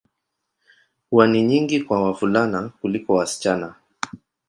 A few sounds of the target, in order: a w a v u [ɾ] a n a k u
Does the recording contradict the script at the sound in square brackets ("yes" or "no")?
yes